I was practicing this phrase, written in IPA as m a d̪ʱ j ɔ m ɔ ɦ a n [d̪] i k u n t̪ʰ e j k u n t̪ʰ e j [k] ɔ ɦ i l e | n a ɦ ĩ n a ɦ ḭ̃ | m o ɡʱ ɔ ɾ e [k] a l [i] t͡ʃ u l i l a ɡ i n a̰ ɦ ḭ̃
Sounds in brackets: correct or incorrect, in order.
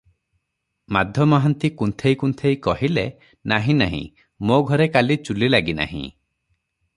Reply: incorrect: t̪, correct, correct, correct

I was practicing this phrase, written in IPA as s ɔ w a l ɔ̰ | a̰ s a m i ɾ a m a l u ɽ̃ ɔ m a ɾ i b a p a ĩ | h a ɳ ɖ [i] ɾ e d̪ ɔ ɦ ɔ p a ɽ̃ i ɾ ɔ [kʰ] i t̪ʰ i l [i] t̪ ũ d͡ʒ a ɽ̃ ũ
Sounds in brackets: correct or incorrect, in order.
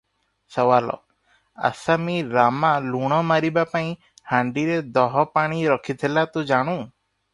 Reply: correct, correct, incorrect: a

